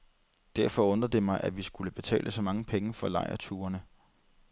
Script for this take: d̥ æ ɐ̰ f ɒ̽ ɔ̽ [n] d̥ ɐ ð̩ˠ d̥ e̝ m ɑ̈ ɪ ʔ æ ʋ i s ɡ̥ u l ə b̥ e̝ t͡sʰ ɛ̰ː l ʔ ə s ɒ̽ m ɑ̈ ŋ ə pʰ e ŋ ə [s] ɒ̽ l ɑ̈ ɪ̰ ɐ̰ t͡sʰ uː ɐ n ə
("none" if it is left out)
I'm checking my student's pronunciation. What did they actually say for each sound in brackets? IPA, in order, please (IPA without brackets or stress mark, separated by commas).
n, f